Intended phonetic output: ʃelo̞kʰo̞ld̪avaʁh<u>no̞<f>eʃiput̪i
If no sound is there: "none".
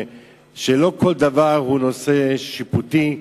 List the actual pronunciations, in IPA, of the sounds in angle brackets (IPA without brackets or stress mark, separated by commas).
u, s